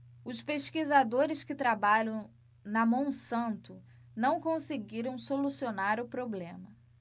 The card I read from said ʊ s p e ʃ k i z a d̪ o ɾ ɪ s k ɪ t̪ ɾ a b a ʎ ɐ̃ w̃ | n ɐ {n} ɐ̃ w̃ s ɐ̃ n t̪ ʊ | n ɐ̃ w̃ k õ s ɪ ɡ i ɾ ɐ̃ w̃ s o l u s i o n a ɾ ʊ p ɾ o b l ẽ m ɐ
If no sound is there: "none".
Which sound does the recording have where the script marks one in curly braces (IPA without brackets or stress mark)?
m